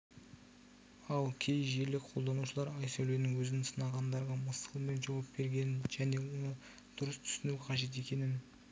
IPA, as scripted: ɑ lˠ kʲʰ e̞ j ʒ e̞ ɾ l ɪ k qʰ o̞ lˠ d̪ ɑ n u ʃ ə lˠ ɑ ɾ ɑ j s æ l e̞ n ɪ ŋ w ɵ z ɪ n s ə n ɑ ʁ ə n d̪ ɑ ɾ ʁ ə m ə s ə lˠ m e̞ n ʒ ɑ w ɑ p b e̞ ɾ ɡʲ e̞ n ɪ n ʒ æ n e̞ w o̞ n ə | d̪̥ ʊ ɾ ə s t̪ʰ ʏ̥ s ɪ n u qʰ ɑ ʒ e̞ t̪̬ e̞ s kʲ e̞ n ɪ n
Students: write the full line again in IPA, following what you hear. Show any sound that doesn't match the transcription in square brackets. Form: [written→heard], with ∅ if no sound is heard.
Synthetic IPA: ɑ lˠ kʲʰ e̞ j ʒ e̞ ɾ l ɪ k qʰ o̞ lˠ d̪ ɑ n u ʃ ə lˠ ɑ ɾ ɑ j s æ l e̞ n ɪ ŋ w ɵ z ɪ n s ə n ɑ ʁ [ə→ɑ] n d̪ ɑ ɾ ʁ [ə→ɑ] m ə s ə lˠ m e̞ n ʒ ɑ w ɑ p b e̞ ɾ ɡʲ e̞ n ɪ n ʒ æ n e̞ w o̞ n ə | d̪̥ ʊ ɾ ə s t̪ʰ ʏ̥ s ɪ n u qʰ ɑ ʒ e̞ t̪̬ e̞ [s→∅] kʲ e̞ n ɪ n

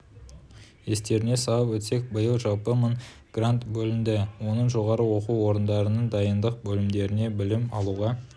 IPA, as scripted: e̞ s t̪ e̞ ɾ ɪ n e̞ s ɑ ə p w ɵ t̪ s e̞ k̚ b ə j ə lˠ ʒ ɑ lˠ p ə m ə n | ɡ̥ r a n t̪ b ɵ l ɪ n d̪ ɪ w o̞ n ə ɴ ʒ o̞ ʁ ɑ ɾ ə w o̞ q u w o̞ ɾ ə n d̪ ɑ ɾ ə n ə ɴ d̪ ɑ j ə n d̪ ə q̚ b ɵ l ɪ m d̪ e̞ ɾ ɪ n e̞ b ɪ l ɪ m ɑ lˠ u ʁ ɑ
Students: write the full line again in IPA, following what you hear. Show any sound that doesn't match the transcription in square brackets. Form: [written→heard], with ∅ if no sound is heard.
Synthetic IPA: e̞ s t̪ e̞ ɾ ɪ n e̞ s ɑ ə p w ɵ t̪ s e̞ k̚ b ə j ə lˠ ʒ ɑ lˠ p ə m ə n | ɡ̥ r a n t̪ b ɵ l ɪ n d̪ ɪ w o̞ n ə ɴ ʒ o̞ ʁ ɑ ɾ ə w o̞ q u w o̞ ɾ ə n d̪ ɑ ɾ ə n ə ɴ d̪ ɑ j ə n d̪ ə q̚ b ɵ l ɪ m d̪ e̞ ɾ ɪ n e̞ b ɪ l ɪ m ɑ lˠ u ʁ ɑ

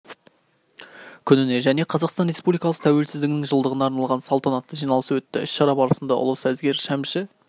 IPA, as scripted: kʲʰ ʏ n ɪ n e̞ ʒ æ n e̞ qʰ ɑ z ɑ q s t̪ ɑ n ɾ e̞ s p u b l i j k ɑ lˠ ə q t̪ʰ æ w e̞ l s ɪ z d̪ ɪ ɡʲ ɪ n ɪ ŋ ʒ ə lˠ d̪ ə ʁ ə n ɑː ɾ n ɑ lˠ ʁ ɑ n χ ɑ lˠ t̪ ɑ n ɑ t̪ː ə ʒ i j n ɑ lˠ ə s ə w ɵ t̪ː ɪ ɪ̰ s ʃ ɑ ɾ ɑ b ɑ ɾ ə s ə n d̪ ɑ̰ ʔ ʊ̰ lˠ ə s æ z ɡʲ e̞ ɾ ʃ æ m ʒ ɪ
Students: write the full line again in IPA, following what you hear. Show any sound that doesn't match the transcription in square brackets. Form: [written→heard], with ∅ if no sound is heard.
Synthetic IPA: kʲʰ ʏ n ɪ n e̞ ʒ æ n e̞ qʰ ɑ z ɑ q s t̪ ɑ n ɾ e̞ s p u b l i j k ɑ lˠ ə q t̪ʰ æ w e̞ l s ɪ z d̪ ɪ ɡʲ ɪ n ɪ ŋ ʒ ə lˠ d̪ ə ʁ ə n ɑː ɾ n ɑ lˠ ʁ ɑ n [χ→s] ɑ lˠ t̪ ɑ n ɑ t̪ː ə ʒ i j n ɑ lˠ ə s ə w ɵ t̪ː ɪ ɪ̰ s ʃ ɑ ɾ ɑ b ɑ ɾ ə s ə n d̪ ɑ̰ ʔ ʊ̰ lˠ ə s æ z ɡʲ e̞ ɾ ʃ æ m [ʒ→ʃ] ɪ

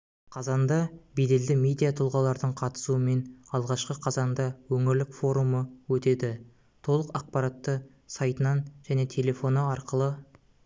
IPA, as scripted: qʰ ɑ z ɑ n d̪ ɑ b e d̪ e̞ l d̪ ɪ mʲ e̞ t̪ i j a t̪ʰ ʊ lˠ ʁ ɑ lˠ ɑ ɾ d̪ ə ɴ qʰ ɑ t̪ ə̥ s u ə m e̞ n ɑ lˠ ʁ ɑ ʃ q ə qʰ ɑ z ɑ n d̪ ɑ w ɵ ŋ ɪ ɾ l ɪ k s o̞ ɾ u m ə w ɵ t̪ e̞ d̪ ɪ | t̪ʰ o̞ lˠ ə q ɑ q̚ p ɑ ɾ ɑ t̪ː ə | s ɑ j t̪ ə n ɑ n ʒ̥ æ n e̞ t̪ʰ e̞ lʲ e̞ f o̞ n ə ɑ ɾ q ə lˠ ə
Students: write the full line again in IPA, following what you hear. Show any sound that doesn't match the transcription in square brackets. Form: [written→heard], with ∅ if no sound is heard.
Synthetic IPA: qʰ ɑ z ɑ n d̪ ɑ b e d̪ e̞ l d̪ ɪ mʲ e̞ [t̪→d̪] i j a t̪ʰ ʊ lˠ ʁ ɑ lˠ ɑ ɾ d̪ ə ɴ qʰ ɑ t̪ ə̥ s u ə m e̞ n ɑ lˠ ʁ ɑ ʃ q ə qʰ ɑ z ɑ n d̪ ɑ w ɵ ŋ ɪ ɾ l ɪ k [s→f] o̞ ɾ u m ə w ɵ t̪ e̞ d̪ ɪ | t̪ʰ o̞ lˠ ə q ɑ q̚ p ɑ ɾ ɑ t̪ː ə | s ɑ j t̪ ə n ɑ n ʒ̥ æ n e̞ t̪ʰ e̞ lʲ e̞ f o̞ n ə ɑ ɾ q ə lˠ ə

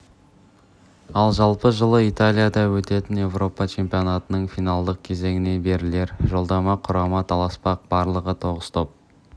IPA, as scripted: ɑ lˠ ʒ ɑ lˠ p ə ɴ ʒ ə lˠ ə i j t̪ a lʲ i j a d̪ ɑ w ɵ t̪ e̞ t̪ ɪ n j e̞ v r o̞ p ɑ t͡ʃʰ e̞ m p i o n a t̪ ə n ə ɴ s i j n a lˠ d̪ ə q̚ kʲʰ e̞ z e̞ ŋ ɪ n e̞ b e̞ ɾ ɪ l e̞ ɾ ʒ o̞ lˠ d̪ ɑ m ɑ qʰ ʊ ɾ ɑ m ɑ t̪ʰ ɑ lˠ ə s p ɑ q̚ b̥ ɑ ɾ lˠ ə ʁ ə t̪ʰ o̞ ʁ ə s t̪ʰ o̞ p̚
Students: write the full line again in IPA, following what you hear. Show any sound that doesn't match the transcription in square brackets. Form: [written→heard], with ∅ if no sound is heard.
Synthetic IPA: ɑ lˠ ʒ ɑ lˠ p ə [ɴ→∅] ʒ ə lˠ ə i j t̪ a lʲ i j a d̪ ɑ w ɵ t̪ e̞ t̪ ɪ n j e̞ v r o̞ p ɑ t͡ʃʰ e̞ m p i o n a t̪ ə n ə ɴ [s→f] i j n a lˠ d̪ ə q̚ kʲʰ e̞ z e̞ ŋ ɪ n e̞ b e̞ ɾ ɪ l e̞ ɾ ʒ o̞ lˠ d̪ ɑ m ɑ qʰ ʊ ɾ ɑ m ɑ t̪ʰ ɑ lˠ [ə→ɑ] s p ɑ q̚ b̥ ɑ ɾ lˠ ə ʁ ə t̪ʰ o̞ ʁ ə s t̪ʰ o̞ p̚

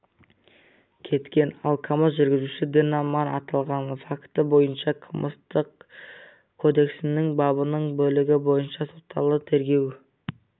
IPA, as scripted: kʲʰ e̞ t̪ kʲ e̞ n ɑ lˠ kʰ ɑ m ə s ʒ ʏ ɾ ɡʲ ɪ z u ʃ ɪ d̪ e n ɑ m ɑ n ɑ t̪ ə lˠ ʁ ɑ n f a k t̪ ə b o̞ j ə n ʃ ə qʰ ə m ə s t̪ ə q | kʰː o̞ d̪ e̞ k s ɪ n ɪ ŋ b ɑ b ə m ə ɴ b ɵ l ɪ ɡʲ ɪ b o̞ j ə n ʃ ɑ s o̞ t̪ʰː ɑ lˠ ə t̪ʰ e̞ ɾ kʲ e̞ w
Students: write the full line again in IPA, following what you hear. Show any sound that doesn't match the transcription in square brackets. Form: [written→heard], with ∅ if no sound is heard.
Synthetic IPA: kʲʰ e̞ t̪ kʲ e̞ n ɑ lˠ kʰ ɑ m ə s ʒ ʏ ɾ ɡʲ ɪ z u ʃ ɪ d̪ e n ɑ m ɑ n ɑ t̪ [ə→ɑ] lˠ ʁ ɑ n f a k t̪ ə b o̞ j ə n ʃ [ə→ɑ] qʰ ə m ə s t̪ ə q | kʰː o̞ d̪ e̞ k s ɪ n ɪ ŋ b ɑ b ə [m→n] ə ɴ b ɵ l ɪ ɡʲ ɪ b o̞ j ə n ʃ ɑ s o̞ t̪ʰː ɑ lˠ ə t̪ʰ e̞ ɾ [kʲ→ɡʲ] e̞ w

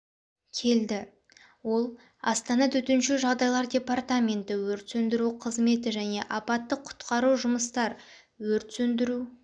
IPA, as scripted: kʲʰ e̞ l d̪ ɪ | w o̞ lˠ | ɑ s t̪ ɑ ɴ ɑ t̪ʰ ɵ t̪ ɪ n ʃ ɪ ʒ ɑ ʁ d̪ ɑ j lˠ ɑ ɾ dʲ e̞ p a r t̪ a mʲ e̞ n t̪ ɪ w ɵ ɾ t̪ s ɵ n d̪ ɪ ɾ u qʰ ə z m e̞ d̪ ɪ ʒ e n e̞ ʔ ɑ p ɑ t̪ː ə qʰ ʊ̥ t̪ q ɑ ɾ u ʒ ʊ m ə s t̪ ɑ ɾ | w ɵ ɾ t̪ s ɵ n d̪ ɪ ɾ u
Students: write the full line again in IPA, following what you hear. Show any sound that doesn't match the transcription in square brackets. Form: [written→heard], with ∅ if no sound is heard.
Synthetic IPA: kʲʰ e̞ l d̪ ɪ | w o̞ lˠ | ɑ s t̪ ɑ [ɴ→n] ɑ t̪ʰ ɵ t̪ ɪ n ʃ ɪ ʒ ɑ ʁ d̪ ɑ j lˠ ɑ ɾ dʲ e̞ p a r t̪ a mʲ e̞ n t̪ ɪ w ɵ ɾ t̪ s ɵ n d̪ ɪ ɾ u qʰ ə z m e̞ [d̪→t̪] ɪ ʒ [e→æ] n e̞ ʔ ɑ p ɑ t̪ː ə qʰ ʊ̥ t̪ q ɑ ɾ u ʒ ʊ m ə s t̪ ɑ ɾ | w ɵ ɾ t̪ s ɵ n d̪ ɪ ɾ u

